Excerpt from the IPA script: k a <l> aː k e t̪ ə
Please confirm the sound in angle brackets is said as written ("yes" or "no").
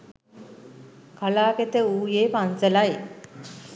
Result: yes